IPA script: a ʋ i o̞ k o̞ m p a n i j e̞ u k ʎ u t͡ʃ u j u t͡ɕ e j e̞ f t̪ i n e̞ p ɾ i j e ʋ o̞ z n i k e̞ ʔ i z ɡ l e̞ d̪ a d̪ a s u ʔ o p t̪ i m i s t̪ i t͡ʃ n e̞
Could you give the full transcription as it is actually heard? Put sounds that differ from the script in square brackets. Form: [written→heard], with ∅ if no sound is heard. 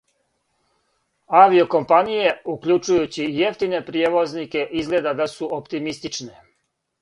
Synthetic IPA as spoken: a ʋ i o̞ k o̞ m p a n i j e̞ u k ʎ u t͡ʃ u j u t͡ɕ [e→i] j e̞ f t̪ i n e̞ p ɾ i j e ʋ o̞ z n i k e̞ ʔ i z ɡ l e̞ d̪ a d̪ a s u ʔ o p t̪ i m i s t̪ i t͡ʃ n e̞